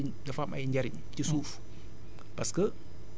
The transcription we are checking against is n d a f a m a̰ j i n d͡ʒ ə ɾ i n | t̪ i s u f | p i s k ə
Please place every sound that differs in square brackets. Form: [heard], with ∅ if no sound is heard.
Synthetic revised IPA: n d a f a m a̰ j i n d͡ʒ [a] ɾ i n | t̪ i s u f | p [a] s k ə